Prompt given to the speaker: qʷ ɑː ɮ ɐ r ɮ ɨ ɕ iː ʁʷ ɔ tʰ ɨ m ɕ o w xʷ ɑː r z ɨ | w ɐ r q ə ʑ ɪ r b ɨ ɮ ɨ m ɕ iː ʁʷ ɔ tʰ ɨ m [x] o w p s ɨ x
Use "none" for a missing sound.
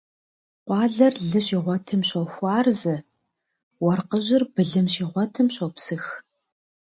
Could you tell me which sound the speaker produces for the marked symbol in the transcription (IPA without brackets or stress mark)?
ɕ